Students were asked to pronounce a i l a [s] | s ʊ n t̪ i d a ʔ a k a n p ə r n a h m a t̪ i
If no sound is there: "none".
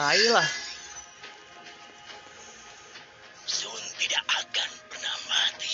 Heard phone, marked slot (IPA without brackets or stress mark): h